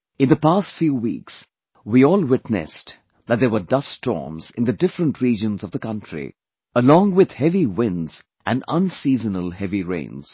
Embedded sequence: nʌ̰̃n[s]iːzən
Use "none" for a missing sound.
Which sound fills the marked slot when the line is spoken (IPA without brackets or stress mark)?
s